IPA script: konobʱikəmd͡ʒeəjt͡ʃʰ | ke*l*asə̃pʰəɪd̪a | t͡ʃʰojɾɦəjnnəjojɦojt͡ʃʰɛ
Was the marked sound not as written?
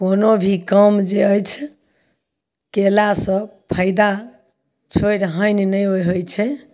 no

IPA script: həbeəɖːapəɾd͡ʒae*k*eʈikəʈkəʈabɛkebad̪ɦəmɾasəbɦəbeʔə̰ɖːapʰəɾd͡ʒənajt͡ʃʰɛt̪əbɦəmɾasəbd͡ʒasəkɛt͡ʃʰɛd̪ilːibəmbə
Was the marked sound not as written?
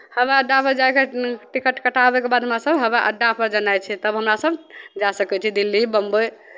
no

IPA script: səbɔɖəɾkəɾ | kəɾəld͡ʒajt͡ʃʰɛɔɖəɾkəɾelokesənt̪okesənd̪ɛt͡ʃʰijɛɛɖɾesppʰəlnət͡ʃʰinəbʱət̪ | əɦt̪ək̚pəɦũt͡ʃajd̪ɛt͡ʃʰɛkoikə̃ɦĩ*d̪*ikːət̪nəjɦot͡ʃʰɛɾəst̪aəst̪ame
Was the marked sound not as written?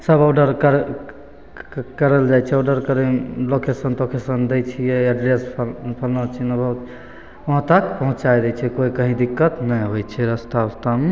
no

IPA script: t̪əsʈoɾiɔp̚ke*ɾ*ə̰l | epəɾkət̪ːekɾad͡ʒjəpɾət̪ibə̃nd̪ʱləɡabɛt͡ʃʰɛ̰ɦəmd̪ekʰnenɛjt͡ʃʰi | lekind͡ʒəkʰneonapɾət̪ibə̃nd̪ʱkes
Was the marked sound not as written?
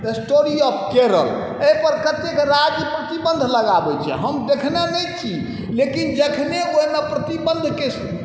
no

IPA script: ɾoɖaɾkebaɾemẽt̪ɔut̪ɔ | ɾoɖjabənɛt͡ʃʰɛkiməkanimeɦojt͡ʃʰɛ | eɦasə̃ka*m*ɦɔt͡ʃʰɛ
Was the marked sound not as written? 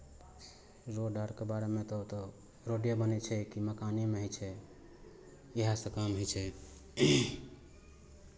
no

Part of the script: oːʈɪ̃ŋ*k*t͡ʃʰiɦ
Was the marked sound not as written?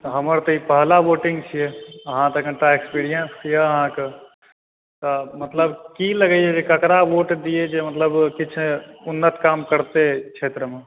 yes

